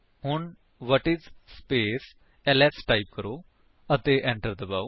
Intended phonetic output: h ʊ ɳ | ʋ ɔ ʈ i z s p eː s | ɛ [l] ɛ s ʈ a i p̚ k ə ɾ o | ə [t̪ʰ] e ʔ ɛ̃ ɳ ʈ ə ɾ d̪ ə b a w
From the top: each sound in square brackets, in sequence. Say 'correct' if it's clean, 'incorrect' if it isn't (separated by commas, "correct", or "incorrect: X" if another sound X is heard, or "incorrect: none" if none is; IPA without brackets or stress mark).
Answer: correct, incorrect: t̪